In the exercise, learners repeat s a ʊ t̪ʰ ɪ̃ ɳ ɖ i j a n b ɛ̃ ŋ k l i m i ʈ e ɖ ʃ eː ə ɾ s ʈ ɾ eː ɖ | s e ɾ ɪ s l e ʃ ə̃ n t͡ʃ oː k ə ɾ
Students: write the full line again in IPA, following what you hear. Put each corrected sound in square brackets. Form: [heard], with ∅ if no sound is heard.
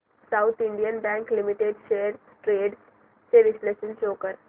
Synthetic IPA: s a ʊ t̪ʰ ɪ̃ ɳ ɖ i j [ə] n b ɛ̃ ŋ k l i m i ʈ e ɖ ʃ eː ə ɾ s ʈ ɾ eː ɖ | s e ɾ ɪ s l e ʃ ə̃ n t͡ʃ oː k ə ɾ